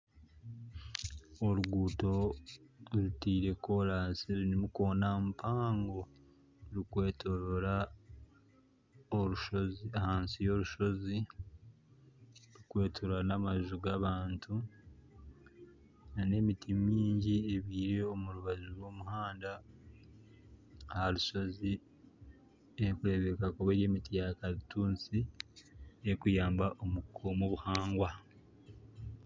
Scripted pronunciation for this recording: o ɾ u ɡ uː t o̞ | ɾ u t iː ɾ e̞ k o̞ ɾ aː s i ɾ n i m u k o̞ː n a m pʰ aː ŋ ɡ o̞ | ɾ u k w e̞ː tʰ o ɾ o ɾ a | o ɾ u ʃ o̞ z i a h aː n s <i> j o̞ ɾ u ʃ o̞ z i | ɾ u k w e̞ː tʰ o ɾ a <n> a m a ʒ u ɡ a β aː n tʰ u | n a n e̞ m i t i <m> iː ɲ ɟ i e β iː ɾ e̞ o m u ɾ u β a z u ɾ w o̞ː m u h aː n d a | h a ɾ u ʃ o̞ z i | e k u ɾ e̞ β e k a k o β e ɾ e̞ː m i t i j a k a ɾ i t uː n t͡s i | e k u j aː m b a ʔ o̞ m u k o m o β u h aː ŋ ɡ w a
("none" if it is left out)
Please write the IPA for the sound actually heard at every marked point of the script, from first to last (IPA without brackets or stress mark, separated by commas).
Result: i, n, m